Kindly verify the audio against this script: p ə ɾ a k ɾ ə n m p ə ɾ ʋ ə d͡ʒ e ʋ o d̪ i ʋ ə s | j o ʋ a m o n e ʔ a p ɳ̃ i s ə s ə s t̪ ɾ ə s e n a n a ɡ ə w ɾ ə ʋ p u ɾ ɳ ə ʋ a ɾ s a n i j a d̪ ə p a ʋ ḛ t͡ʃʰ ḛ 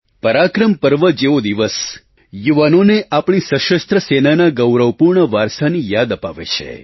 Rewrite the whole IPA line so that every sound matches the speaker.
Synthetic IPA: p ə ɾ a k ɾ ə m p ə ɾ ʋ ə d͡ʒ e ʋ o d̪ i ʋ ə s | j u ʋ a n o n e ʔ a p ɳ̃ i s ə ʃ ə s t̪ ɾ ə s e n a n a ɡ ə w ɾ ə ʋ p u ɾ ɳ ə ʋ a ɾ s a n i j a d̪ ə p a ʋ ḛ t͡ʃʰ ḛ

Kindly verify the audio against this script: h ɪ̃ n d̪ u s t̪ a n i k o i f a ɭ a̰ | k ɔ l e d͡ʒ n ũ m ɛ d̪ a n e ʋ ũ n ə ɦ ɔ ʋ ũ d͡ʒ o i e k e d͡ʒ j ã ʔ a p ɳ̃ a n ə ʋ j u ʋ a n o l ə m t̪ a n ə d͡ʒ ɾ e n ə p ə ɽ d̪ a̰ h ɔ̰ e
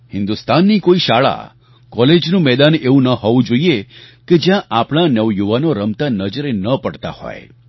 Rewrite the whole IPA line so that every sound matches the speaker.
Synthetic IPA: h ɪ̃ n d̪ u s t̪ a nː i k o i ʃ a ɭ a̰ | k ɔ l e d͡ʒ n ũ m ɛ d̪ a n e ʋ ũ n ə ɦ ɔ ʋ ũ d͡ʒ o i e k e d͡ʒ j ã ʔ a p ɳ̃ a n ə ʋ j u ʋ a n o ɾ ə m t̪ a n ə d͡ʒ ɾ e n ə p ə ɽ t̪ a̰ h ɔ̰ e

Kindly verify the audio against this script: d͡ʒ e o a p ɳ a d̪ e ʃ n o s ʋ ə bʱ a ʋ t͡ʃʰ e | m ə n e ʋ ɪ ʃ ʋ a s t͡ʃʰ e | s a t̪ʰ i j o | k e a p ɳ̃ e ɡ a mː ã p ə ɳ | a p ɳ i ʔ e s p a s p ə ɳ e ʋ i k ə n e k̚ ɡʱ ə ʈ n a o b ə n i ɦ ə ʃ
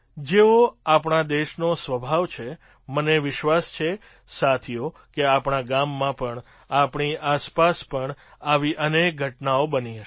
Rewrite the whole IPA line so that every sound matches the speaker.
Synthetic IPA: d͡ʒ e o a p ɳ a d̪ e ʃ n o s ʋ ə bʱ a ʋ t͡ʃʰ e | m ə n e ʋ ɪ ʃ ʋ a s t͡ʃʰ e | s a t̪ʰ i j o | k e a p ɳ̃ a ɡ a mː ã p ə ɳ | a p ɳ i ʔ a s p a s p ə ɳ a ʋ i ʔ ə n e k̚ ɡʱ ə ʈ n a o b ə n i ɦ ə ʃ

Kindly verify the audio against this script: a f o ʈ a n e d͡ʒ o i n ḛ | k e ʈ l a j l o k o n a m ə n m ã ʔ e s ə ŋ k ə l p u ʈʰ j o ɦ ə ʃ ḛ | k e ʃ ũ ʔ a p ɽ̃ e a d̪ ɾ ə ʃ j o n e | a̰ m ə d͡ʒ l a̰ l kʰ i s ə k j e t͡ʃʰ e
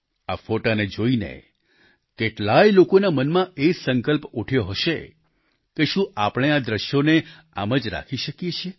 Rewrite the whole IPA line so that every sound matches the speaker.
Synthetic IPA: a f o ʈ a n e d͡ʒ o i n ḛ | k e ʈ l a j l o k o n a m ə n m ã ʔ e s ə ŋ k ə l p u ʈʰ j o ɦ ə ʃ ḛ | k e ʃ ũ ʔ a p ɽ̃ e a d̪ ɾ ə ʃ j o n e | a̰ m ə d͡ʒ ɾ a̰ kʰ i ʃ ə k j e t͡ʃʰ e

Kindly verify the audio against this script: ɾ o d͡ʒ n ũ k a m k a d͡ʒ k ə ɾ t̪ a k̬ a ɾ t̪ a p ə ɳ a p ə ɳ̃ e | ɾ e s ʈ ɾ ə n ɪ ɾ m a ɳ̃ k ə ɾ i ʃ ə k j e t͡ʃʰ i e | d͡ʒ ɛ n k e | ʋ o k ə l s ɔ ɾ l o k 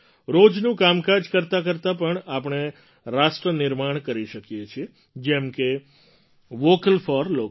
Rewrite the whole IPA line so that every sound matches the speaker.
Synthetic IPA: ɾ o d͡ʒ n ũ k a m k a d͡ʒ k ə ɾ t̪ a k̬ ə ɾ t̪ a p ə ɳ a p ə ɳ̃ e | ɾ a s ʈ ɾ ə n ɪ ɾ m a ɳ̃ k ə ɾ i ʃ ə k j e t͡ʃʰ i e | d͡ʒ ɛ m k e | ʋ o k ə l f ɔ ɾ l o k

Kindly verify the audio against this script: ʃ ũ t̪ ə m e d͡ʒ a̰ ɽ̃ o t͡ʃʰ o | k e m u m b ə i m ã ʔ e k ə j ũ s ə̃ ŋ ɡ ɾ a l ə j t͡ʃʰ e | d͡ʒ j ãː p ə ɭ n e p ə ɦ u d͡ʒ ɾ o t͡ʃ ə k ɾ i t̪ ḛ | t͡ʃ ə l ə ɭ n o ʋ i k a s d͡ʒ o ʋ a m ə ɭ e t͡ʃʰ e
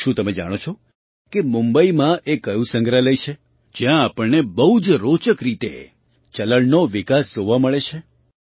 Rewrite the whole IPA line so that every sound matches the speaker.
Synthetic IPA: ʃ ũ t̪ ə m e d͡ʒ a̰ ɽ̃ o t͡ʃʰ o | k e m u m b ə i m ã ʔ e k ə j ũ s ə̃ ŋ ɡ ɾ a l ə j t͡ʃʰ e | d͡ʒ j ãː p ə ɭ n e b ə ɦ u d͡ʒ ɾ o t͡ʃ ə k ɾ i t̪ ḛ | t͡ʃ ə l ə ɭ n o ʋ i k a s d͡ʒ o ʋ a m ə ɭ e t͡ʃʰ e

